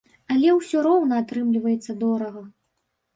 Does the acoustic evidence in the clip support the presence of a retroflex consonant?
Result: no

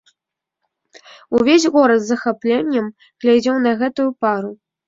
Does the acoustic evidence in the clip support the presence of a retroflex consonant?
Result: no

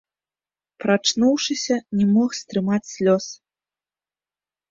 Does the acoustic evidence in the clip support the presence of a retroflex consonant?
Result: yes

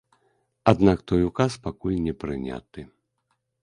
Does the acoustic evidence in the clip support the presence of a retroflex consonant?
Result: no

